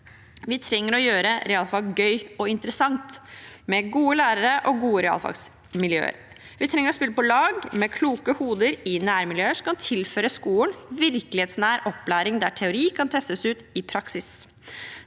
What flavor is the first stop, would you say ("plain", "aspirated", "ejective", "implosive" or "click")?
aspirated